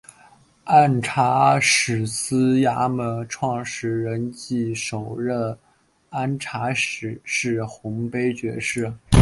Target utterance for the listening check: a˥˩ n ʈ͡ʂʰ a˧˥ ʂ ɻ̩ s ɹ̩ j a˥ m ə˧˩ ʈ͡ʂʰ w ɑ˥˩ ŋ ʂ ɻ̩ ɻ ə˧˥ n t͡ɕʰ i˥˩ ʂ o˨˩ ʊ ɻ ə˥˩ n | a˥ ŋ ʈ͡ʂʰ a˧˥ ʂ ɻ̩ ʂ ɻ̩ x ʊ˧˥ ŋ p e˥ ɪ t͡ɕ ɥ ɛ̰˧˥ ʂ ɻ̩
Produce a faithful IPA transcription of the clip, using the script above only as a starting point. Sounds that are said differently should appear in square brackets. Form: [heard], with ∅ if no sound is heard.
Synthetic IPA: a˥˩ n ʈ͡ʂʰ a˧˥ ʂ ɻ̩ s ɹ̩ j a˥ m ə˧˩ ʈ͡ʂʰ w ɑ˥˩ ŋ ʂ ɻ̩ ɻ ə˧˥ n [t͡ɕ] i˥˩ ʂ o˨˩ ʊ ɻ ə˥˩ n | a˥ [n] ʈ͡ʂʰ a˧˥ ʂ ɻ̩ ʂ ɻ̩ x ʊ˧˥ ŋ p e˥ ɪ t͡ɕ ɥ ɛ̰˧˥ ʂ ɻ̩